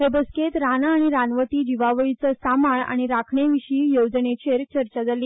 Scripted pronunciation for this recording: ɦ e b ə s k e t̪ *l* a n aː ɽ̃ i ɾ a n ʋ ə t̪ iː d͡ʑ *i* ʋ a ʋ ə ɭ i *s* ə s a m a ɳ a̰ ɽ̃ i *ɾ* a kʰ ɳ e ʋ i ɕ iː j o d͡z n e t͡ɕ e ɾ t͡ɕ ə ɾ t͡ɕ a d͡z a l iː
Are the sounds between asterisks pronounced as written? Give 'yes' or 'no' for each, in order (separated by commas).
no, yes, no, yes